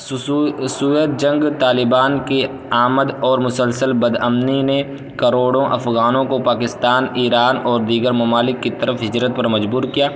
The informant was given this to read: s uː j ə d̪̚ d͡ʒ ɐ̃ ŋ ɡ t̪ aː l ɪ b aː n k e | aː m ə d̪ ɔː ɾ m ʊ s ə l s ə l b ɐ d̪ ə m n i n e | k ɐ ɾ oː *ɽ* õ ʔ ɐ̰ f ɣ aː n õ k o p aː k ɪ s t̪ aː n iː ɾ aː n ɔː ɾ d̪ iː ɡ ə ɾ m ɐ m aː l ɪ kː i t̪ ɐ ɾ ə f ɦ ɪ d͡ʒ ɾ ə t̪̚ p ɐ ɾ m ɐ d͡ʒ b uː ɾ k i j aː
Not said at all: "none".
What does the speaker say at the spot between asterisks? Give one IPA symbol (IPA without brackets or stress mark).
ɽ